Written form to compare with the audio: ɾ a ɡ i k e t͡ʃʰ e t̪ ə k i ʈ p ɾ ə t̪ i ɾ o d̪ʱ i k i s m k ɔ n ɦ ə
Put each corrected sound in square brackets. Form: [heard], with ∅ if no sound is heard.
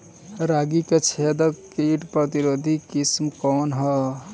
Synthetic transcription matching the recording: ɾ a ɡ i k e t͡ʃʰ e [d̪] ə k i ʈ p ɾ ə t̪ i ɾ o d̪ʱ i k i s m k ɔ n ɦ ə